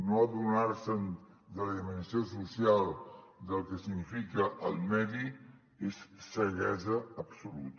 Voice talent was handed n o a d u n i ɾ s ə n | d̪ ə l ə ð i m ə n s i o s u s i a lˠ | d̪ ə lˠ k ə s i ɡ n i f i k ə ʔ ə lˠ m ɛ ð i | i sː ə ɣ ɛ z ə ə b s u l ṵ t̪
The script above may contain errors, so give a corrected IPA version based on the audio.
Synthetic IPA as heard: n o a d u n a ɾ s ə n | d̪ ə l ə ð i m ə n s i o s u s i a lˠ | d̪ ə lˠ k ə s i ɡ n i f i k ə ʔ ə lˠ m ɛ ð i | e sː ə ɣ ɛ z ə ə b s u l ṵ t̪